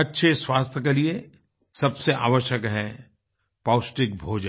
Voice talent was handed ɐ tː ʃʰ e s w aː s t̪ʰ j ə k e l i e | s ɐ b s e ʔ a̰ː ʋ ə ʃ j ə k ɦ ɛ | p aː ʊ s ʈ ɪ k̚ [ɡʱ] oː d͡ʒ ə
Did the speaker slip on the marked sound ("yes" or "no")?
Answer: yes